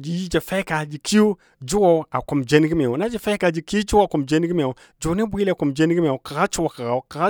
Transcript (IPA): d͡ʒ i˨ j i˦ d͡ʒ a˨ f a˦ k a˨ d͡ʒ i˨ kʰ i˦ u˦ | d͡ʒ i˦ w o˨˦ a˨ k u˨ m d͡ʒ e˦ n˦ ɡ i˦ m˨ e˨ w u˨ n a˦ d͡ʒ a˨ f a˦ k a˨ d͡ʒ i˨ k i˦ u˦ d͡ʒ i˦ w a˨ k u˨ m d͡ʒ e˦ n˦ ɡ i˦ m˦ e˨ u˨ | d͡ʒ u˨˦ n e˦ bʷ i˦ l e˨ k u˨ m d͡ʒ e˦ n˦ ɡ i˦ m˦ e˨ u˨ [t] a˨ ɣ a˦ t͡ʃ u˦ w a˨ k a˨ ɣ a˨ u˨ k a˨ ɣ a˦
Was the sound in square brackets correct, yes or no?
no